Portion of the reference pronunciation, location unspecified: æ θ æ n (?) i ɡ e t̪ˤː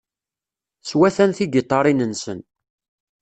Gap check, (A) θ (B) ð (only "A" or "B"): A